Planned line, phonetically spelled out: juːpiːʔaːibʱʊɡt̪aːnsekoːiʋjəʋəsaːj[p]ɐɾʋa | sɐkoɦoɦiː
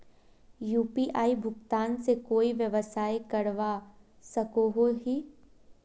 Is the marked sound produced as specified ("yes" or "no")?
no